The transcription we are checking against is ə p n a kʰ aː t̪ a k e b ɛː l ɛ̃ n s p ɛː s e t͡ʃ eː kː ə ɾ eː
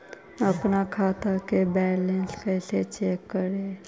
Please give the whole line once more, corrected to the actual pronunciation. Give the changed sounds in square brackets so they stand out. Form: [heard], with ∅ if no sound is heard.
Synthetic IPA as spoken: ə p n a kʰ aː t̪ a k e b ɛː l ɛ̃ n s [k] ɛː s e t͡ʃ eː kː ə ɾ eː